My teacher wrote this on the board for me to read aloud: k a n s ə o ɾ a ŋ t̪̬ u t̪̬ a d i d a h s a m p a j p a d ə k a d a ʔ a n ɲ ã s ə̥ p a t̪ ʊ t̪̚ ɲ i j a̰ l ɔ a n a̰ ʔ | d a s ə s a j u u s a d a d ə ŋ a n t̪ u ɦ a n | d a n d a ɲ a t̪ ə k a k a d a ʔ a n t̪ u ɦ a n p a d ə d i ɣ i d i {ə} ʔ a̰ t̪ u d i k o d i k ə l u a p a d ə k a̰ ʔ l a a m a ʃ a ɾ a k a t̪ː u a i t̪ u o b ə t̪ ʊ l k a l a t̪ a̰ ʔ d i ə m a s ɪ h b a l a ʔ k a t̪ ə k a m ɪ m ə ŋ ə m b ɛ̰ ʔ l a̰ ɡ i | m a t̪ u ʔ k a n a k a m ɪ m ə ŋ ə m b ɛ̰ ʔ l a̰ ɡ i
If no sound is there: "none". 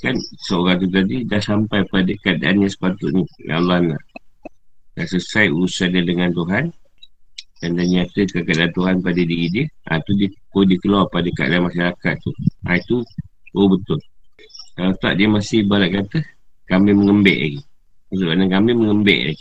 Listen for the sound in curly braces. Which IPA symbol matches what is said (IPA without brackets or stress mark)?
ə